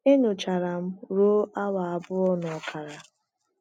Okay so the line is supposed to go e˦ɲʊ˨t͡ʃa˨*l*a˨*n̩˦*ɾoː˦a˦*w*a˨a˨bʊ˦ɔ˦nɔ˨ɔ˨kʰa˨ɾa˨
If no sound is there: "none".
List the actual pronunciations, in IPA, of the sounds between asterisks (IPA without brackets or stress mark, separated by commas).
ɾ, m̩˦, w